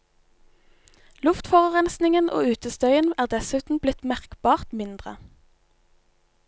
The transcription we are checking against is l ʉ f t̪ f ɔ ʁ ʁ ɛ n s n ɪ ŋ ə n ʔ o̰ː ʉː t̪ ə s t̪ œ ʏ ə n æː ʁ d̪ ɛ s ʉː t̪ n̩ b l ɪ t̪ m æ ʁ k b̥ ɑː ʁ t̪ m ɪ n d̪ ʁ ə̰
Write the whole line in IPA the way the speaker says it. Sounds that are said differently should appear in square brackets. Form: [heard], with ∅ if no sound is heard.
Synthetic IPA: l ʉ f t̪ f ɔ ʁ ʁ ɛ n s n ɪ ŋ ə n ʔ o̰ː ʉː t̪ ə s t̪ œ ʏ ə n æː ʁ d̪ ɛ s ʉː t̪ n̩ b l ɪ t̪ m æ ʁ k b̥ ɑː ʁ t̪ m ɪ n d̪ ʁ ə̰